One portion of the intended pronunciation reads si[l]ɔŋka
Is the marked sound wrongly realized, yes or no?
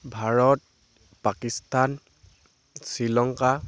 no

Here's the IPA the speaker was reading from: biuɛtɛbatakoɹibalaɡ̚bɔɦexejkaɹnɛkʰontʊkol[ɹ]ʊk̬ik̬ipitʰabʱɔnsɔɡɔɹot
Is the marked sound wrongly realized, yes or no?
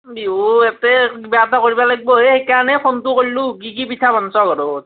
yes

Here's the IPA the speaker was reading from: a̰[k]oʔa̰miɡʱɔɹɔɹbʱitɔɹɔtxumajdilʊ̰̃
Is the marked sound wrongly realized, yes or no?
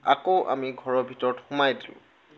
no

